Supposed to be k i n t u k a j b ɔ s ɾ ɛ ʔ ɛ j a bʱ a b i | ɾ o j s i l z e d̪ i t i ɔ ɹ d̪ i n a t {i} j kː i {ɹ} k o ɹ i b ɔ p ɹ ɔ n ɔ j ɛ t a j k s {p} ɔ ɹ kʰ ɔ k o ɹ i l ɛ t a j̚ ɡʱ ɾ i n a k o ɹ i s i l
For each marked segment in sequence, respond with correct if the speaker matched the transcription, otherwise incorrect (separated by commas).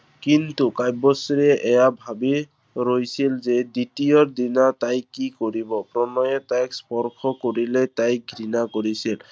incorrect, incorrect, correct